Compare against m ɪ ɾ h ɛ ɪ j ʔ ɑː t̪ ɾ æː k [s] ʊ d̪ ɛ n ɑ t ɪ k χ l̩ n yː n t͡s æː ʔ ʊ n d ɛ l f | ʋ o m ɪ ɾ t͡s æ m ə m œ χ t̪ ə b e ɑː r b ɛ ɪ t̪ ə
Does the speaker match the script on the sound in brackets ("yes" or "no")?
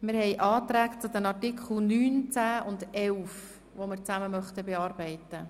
no